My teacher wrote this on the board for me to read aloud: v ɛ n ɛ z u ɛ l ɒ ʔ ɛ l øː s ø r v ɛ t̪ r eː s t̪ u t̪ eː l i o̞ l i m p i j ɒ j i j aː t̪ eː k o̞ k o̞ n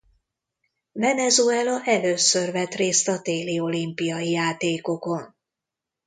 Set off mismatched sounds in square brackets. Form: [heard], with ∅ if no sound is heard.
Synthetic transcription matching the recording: v ɛ n ɛ z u ɛ l ɒ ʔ ɛ l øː s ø r v ɛ t̪ r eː s t̪ [ɒ] t̪ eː l i o̞ l i m p i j ɒ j i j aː t̪ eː k o̞ k o̞ n